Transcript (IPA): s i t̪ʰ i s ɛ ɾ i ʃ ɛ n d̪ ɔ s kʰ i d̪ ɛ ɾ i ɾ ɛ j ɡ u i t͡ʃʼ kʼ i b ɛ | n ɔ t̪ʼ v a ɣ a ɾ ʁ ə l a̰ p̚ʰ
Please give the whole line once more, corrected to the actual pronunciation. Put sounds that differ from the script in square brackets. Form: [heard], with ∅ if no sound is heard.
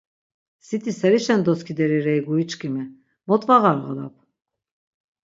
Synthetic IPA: s i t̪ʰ i s ɛ ɾ i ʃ ɛ n d̪ ɔ s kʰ i d̪ ɛ ɾ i ɾ ɛ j ɡ u i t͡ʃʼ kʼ i [m] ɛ | [m] ɔ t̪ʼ v a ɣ a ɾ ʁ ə l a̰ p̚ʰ